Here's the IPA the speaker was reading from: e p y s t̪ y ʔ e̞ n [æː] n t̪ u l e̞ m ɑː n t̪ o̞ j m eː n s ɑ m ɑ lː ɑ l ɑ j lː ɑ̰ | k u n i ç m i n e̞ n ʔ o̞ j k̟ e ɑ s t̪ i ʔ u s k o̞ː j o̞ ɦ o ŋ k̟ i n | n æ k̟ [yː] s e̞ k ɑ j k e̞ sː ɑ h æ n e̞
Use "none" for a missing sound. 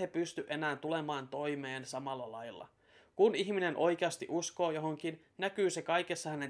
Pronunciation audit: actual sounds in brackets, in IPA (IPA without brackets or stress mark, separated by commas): æː, yː